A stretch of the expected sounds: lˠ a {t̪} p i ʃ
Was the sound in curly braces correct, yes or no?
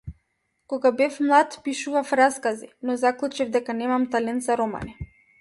yes